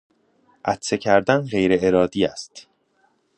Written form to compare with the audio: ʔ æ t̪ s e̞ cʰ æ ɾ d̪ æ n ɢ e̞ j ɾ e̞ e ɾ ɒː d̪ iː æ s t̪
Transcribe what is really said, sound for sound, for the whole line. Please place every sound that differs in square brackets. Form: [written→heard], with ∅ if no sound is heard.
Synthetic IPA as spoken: ʔ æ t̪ s e̞ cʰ æ ɾ d̪ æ n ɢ e̞ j ɾ e̞ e ɾ ɒː d̪ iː æ s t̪